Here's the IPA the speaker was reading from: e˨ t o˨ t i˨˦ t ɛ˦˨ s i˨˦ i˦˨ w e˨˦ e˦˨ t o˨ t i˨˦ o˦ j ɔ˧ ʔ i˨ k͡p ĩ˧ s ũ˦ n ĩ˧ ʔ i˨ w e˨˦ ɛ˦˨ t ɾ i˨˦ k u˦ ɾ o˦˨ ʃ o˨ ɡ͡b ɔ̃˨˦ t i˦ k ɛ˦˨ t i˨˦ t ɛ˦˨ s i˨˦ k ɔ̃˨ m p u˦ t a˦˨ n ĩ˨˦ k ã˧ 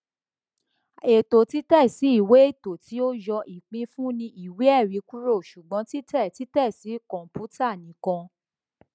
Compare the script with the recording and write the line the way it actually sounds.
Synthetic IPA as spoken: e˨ t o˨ t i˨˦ t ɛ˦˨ s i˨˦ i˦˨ w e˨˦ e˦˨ t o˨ t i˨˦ o˦ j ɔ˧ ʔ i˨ k͡p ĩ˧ f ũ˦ n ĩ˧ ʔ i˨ w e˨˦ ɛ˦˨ ɾ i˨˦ k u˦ ɾ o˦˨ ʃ u˨ ɡ͡b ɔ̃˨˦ t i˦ t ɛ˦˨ t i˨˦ t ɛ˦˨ s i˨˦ k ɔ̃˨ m p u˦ t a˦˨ n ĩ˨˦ k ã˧

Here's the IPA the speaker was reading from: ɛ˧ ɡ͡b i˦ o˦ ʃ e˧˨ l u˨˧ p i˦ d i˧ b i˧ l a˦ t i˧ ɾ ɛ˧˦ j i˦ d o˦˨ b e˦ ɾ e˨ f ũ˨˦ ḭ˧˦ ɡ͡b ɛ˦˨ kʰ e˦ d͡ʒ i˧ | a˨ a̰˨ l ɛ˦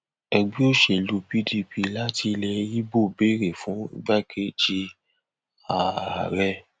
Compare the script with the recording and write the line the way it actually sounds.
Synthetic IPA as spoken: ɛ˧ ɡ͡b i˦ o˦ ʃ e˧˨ l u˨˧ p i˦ d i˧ p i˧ l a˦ t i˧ l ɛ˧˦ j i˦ b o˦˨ b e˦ ɾ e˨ f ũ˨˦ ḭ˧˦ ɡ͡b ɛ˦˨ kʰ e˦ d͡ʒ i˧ | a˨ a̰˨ ɾ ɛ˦

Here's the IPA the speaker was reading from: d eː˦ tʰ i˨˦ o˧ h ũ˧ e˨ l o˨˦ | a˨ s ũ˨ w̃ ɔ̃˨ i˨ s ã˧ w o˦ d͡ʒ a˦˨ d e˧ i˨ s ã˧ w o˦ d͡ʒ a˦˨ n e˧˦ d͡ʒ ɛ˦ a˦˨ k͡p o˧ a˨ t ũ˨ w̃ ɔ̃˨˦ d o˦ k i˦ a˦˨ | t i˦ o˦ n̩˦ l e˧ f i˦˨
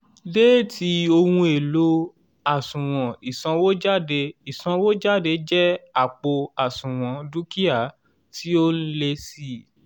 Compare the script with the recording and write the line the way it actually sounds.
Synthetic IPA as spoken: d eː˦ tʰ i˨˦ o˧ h ũ˧ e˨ l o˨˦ | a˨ s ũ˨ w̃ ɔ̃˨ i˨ s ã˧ w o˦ d͡ʒ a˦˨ d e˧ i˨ s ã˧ w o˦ d͡ʒ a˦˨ d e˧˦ d͡ʒ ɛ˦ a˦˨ k͡p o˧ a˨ s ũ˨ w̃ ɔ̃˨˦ d u˦ k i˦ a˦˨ | t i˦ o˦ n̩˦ l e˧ s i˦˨

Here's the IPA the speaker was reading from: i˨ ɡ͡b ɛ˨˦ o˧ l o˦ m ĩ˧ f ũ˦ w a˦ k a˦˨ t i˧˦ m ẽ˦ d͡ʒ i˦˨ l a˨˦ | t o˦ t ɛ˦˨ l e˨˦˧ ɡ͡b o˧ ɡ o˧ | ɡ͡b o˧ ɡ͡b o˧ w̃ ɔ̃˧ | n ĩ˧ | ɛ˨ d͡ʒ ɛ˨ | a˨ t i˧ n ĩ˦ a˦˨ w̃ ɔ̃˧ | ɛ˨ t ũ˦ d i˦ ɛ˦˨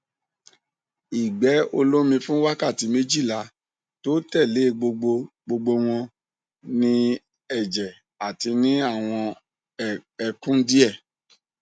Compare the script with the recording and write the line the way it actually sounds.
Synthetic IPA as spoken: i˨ ɡ͡b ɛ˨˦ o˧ l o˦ m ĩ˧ f ũ˦ w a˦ k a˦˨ t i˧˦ m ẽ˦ d͡ʒ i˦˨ l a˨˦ | t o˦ t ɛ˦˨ l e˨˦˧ ɡ͡b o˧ ɡ͡b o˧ | ɡ͡b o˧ ɡ͡b o˧ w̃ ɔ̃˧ | n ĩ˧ | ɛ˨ d͡ʒ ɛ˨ | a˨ t i˧ n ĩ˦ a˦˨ w̃ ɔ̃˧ | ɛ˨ k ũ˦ d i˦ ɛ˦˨

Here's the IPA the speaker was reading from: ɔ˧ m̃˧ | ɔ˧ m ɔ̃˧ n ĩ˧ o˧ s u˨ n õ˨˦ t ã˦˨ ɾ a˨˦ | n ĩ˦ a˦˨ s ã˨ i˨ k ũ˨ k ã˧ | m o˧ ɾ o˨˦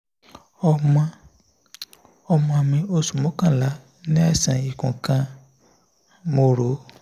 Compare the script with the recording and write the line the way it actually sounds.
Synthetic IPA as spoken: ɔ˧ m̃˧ | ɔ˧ m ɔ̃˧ m ĩ˧ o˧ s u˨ m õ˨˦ k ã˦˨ l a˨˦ | n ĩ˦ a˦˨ s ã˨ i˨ k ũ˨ k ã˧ | m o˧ ɾ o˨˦

